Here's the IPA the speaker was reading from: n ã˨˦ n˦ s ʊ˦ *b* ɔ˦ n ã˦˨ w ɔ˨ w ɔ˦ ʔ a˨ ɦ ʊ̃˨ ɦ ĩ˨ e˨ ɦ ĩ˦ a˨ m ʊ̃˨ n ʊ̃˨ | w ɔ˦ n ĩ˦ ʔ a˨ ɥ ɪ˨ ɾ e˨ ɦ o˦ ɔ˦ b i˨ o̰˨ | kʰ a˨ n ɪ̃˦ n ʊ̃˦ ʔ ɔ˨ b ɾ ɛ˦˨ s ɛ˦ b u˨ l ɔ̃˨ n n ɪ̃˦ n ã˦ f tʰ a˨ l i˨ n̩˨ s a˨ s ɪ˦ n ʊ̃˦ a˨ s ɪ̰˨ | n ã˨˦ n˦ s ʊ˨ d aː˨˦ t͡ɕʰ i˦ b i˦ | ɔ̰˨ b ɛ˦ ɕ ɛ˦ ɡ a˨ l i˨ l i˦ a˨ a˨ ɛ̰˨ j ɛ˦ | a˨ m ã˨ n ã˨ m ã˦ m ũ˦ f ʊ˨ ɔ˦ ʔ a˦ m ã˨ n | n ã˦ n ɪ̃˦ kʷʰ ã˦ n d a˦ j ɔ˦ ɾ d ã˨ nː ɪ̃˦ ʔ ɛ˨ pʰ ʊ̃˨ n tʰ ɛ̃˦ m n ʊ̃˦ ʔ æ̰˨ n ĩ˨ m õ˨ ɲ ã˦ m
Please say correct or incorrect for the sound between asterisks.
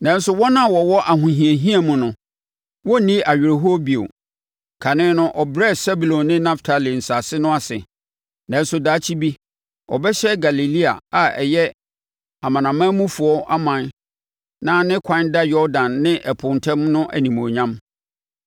incorrect